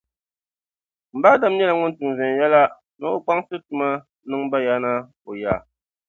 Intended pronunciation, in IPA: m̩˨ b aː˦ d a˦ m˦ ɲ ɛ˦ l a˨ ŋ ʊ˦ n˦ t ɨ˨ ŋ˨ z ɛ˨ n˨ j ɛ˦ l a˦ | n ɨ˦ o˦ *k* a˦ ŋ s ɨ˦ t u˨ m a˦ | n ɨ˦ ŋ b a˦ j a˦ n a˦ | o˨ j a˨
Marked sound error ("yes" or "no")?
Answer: yes